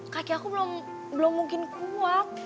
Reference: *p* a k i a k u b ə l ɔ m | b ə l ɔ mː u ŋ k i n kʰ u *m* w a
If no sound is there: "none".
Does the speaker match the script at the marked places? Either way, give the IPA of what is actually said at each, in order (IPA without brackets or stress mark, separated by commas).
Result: k, none